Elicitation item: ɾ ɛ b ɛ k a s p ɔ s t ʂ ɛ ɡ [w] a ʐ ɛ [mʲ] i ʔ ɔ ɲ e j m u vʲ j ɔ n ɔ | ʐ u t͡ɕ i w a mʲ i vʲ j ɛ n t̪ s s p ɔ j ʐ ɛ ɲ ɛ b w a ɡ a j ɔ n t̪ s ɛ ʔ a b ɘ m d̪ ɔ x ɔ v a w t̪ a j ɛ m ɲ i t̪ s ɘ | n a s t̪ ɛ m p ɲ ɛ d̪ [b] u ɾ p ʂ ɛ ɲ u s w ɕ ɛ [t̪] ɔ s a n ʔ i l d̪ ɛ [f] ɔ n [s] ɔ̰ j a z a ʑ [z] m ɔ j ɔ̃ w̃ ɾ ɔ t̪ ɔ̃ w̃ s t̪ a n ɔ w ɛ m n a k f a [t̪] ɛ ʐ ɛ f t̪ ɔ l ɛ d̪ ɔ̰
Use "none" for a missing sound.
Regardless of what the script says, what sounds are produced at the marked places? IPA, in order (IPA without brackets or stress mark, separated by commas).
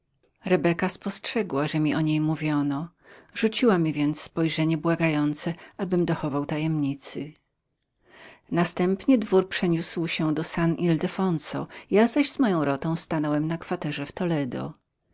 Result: w, mʲ, v, d̪, f, s, z, t̪